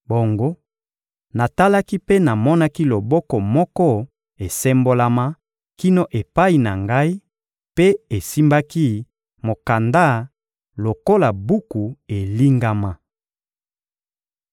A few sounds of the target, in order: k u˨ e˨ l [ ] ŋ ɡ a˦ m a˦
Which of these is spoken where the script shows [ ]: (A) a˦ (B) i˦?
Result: B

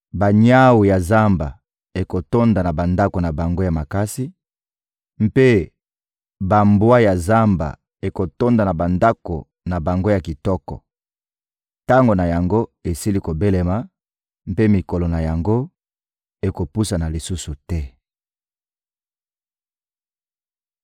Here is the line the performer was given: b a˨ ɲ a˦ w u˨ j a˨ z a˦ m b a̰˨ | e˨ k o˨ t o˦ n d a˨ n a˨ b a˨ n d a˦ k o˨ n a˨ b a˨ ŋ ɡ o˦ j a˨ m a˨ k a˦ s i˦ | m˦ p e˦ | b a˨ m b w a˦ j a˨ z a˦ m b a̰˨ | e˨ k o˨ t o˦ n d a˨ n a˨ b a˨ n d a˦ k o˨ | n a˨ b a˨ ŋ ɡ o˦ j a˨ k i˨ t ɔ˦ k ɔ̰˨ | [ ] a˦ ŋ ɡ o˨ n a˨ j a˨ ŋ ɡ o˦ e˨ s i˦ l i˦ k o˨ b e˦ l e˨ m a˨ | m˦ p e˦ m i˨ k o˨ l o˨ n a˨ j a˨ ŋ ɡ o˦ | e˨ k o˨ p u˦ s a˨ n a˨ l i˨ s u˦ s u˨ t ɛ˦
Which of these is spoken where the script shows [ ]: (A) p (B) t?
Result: B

